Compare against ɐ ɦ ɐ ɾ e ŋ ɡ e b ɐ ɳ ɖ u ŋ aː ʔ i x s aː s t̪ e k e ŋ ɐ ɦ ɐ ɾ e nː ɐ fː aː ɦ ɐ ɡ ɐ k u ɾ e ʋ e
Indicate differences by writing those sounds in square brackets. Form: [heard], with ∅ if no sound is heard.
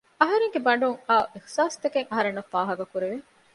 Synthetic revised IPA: ɐ ɦ ɐ ɾ e ŋ ɡ e b ɐ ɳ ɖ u ŋ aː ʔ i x s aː s t̪ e k e ŋ ɐ ɦ ɐ ɾ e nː ɐ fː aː ɦ ɐ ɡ ɐ k u ɾ e ʋ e